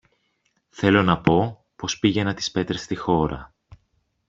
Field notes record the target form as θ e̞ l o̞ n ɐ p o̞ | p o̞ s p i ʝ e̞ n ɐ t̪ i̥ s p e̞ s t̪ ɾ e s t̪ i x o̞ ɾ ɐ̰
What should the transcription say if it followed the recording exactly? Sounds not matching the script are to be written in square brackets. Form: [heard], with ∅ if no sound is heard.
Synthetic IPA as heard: θ e̞ l o̞ n ɐ p o̞ | p o̞ s p i ʝ e̞ n ɐ t̪ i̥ s p e̞ [∅] t̪ ɾ e s t̪ i x o̞ ɾ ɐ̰